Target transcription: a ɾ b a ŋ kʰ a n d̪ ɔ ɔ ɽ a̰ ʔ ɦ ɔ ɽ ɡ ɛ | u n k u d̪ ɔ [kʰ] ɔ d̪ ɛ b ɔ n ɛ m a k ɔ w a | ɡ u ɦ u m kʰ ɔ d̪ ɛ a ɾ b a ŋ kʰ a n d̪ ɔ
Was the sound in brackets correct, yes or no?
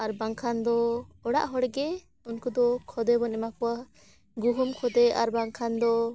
yes